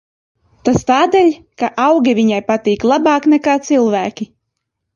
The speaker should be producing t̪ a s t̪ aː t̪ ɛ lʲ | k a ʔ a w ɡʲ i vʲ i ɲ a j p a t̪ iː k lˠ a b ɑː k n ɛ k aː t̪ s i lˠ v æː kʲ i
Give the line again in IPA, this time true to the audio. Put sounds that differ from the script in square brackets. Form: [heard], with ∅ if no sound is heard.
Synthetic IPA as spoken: t̪ a s t̪ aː [d̪] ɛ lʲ | k a ʔ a w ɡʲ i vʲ i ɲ a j p a t̪ iː k lˠ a b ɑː k n ɛ k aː t̪ s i lˠ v æː kʲ i